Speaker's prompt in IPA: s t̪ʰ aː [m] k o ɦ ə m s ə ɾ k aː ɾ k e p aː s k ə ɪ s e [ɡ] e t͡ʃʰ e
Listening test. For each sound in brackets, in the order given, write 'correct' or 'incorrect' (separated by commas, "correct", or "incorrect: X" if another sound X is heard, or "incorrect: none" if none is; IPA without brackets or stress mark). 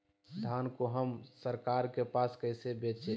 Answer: incorrect: n, incorrect: b